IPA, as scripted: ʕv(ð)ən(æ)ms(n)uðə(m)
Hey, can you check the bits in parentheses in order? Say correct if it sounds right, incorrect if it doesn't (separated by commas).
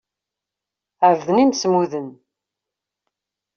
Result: correct, incorrect, incorrect, incorrect